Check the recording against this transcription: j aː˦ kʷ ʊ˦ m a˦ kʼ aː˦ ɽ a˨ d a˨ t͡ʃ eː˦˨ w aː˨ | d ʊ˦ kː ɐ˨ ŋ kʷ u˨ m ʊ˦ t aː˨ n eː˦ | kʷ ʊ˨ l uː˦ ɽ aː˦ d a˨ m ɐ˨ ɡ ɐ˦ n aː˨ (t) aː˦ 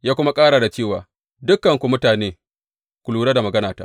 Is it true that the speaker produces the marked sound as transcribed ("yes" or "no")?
yes